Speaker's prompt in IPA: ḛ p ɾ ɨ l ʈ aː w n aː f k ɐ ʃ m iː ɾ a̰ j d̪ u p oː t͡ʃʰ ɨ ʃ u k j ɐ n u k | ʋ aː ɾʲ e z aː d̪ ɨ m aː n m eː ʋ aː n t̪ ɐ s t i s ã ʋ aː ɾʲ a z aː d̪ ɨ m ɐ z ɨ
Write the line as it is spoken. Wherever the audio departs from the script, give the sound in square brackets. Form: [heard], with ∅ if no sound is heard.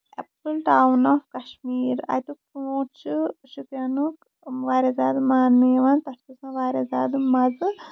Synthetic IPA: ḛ p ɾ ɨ l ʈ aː w n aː f k ɐ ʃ m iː ɾ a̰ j [t̪] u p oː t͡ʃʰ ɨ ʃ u k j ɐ n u k | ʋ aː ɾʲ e z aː d̪ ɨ m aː n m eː ʋ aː n t̪ ɐ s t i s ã ʋ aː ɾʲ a z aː d̪ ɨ m ɐ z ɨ